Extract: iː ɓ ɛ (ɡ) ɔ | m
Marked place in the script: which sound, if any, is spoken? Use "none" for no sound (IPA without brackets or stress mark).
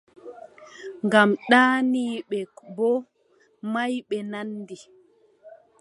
b